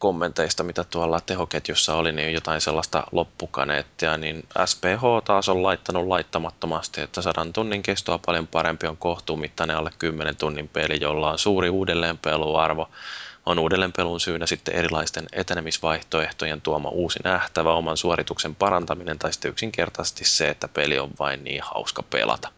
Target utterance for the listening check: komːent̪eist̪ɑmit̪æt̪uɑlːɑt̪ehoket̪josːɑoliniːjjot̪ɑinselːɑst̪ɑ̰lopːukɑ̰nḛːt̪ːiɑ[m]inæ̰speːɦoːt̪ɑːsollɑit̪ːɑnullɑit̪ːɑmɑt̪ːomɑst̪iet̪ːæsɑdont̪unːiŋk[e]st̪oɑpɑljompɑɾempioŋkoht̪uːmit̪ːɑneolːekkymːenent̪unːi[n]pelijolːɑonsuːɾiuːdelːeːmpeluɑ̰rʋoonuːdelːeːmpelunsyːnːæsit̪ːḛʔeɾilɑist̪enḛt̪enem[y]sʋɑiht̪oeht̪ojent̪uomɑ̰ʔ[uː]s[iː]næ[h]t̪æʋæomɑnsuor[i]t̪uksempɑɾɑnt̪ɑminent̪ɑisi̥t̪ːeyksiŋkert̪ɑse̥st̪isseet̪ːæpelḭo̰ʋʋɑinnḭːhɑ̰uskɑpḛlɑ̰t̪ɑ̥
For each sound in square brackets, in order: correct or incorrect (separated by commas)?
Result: incorrect, correct, incorrect, incorrect, correct, incorrect, correct, correct